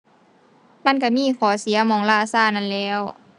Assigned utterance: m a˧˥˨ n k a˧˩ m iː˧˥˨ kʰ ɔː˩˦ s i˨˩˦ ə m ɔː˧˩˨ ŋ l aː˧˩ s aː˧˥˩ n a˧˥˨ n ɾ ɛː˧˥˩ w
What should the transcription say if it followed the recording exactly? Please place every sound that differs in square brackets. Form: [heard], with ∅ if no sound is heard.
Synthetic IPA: m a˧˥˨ n k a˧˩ m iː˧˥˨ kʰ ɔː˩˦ s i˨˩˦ [ɐ] m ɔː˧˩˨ ŋ l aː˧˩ s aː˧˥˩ n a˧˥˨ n [l] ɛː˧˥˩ w